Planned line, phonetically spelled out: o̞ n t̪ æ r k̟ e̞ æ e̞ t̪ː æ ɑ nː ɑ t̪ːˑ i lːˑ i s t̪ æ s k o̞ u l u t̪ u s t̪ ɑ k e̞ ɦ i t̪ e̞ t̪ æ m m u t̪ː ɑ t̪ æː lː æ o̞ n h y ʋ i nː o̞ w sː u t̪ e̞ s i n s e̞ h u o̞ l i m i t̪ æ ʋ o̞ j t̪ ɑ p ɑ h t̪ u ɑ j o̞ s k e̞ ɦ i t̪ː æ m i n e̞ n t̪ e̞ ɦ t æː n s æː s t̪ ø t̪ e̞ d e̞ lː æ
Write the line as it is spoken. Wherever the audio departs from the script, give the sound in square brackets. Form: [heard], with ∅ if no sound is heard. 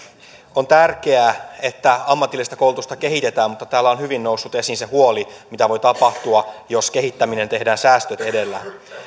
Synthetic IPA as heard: o̞ n t̪ æ r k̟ e̞ æ e̞ t̪ː æ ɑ [mː] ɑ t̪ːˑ i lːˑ i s t̪ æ [∅] k o̞ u l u t̪ u s t̪ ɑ k e̞ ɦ i t̪ e̞ t̪ [æː] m m u t̪ː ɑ t̪ æː lː æ o̞ n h y ʋ i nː o̞ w sː u t̪ e̞ s i n s e̞ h u o̞ l i m i t̪ æ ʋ o̞ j t̪ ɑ p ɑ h t̪ u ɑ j o̞ s k e̞ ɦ i t̪ː æ m i n e̞ n t̪ e̞ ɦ [d] æː n s æː s t̪ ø t̪ e̞ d e̞ lː æ